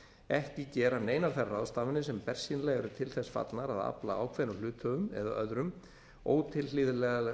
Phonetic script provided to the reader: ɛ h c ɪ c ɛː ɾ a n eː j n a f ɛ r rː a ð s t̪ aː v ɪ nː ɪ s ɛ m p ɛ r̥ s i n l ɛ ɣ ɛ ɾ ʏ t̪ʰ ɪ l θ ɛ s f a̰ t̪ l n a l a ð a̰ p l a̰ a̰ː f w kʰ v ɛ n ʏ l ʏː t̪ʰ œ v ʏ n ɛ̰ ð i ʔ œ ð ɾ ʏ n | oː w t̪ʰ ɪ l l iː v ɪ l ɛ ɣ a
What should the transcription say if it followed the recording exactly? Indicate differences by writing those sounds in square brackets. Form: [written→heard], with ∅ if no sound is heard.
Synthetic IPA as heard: ɛ h c ɪ c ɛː ɾ a n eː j n a f ɛ r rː a ð s t̪ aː v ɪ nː ɪ s ɛ m p ɛ r̥ s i n l ɛ ɣ ɛ ɾ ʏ t̪ʰ ɪ l θ ɛ s f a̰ t̪ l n a [l→ɾ] a ð a̰ p l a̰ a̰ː [f→∅] w kʰ v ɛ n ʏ l ʏː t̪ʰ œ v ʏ [n→m] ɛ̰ ð [i→a] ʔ œ ð ɾ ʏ [n→m] | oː w t̪ʰ ɪ l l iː [v→ð] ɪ l ɛ ɣ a